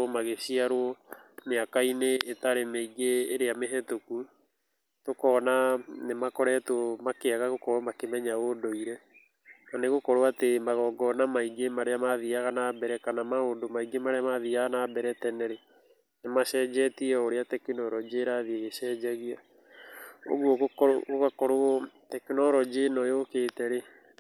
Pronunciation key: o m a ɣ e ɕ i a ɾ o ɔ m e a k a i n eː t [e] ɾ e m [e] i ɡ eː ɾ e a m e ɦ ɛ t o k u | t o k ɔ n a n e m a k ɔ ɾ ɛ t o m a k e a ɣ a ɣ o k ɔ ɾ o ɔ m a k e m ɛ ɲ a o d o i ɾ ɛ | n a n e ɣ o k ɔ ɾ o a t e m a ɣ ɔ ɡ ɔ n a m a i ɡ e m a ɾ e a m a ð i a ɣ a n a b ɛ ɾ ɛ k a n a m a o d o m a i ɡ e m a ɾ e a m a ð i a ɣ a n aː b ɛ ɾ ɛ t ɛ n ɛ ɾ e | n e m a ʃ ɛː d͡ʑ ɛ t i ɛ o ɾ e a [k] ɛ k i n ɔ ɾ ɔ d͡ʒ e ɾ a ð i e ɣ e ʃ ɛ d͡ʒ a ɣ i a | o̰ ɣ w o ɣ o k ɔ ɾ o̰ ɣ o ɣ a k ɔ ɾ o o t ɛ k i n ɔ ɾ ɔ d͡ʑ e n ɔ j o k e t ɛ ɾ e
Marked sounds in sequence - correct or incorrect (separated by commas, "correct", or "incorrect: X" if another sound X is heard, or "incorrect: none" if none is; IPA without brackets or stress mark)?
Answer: incorrect: a, correct, incorrect: t